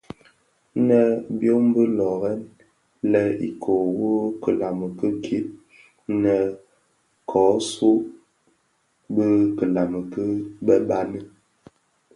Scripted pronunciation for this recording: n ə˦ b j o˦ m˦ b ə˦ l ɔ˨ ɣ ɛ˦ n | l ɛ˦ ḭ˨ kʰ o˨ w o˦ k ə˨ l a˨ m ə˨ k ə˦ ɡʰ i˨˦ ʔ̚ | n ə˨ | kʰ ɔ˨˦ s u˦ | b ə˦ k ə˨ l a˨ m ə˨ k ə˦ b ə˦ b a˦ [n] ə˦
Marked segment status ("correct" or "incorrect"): correct